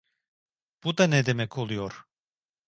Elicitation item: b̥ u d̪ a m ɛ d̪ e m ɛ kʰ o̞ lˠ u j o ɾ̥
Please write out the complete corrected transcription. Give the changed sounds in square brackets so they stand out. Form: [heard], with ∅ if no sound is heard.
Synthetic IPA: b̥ u d̪ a [n] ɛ d̪ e m ɛ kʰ o̞ lˠ u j o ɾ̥

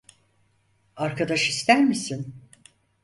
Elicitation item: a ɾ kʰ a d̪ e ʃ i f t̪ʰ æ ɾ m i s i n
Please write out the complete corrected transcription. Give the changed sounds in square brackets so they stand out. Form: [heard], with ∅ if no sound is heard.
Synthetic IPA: a ɾ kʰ a d̪ [a] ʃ i [s] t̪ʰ æ ɾ m i s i n

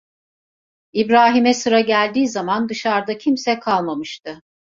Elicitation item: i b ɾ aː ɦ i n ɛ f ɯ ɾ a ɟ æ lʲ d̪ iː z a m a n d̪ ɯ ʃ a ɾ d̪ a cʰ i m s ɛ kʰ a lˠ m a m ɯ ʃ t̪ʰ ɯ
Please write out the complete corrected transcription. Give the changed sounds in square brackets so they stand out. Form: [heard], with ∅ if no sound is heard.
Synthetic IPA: i b ɾ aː ɦ i [m] ɛ [s] ɯ ɾ a ɟ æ lʲ d̪ iː z a m a n d̪ ɯ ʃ a ɾ d̪ a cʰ i m s ɛ kʰ a lˠ m a m ɯ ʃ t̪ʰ ɯ

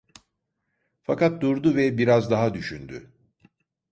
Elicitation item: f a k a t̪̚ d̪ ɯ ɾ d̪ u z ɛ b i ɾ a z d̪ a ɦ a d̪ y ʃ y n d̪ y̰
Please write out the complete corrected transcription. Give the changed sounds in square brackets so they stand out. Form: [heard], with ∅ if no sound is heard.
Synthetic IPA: f a k a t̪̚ d̪ [u] ɾ d̪ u [v] ɛ b i ɾ a z d̪ a ɦ a d̪ y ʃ y n d̪ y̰

